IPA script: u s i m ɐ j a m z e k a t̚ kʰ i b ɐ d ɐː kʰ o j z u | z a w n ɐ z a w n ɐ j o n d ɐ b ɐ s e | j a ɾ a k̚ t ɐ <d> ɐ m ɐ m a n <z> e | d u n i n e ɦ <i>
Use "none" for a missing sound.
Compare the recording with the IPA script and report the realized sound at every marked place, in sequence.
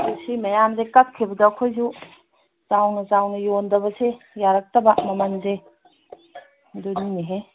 b, z, e

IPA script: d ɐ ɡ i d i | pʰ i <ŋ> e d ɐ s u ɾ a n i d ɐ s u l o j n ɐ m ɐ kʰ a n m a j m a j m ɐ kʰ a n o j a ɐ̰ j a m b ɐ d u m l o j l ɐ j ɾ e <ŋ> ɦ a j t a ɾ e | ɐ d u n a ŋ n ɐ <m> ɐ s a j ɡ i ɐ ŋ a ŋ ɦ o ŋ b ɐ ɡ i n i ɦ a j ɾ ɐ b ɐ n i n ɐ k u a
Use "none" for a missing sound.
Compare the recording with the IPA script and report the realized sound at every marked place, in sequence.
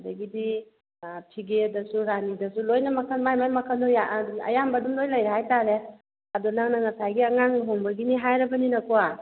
ɡ, none, ŋ

